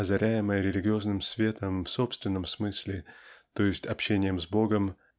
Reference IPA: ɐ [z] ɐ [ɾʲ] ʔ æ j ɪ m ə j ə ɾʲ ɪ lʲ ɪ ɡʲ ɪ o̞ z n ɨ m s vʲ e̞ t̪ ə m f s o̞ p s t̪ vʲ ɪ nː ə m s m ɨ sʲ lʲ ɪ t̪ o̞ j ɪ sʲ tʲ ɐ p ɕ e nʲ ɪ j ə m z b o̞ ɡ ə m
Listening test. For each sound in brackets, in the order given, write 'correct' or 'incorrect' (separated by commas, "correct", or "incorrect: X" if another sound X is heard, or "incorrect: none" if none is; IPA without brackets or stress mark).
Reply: correct, correct